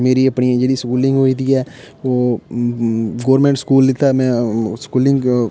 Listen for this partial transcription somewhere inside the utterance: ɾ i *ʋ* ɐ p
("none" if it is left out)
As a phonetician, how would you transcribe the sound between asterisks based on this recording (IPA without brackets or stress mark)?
none